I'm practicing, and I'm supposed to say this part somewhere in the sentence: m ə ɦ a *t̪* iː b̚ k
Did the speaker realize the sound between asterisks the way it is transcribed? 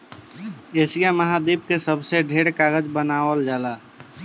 no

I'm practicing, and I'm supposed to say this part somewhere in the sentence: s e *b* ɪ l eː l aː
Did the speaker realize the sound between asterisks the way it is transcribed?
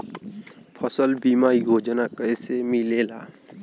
no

